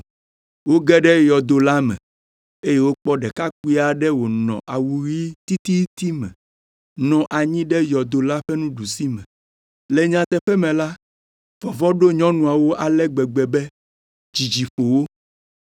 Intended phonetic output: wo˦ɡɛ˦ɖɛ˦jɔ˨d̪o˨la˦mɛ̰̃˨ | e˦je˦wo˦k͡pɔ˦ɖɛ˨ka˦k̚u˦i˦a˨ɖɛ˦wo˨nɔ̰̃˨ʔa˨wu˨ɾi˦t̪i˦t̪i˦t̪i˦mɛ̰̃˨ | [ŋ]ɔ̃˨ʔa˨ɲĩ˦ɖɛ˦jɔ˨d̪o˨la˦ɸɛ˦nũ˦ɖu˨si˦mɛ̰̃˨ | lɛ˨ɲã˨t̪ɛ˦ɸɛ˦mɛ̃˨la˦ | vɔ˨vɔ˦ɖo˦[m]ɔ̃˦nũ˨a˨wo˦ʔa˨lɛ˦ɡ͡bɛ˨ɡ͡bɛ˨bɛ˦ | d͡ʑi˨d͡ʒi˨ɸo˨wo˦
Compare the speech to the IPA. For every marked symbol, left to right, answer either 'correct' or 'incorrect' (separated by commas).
incorrect, incorrect